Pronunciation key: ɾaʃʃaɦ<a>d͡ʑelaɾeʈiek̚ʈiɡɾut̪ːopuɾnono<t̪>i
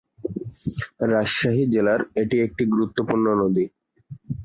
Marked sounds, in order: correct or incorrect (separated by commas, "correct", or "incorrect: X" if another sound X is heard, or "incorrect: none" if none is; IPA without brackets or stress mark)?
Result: incorrect: i, incorrect: d̪